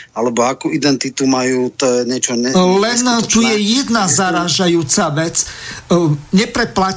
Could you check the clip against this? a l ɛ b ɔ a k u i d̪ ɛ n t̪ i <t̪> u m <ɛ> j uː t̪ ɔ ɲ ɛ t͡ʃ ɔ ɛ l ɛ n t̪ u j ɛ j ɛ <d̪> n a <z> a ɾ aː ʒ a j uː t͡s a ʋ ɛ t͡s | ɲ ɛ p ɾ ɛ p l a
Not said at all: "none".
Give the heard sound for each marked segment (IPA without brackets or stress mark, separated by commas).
t̪, a, d̪, z